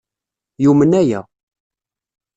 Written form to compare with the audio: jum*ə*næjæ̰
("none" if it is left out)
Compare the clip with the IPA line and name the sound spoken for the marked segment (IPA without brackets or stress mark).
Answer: ə